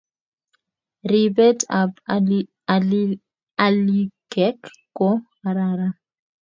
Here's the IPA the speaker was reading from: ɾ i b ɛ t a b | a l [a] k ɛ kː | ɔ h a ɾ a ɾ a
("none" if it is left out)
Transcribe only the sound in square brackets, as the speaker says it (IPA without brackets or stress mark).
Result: i